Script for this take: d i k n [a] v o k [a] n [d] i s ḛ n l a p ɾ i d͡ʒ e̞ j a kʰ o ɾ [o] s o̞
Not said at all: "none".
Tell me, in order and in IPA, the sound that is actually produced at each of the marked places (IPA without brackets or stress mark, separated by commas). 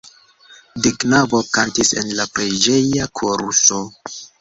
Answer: a, a, t, u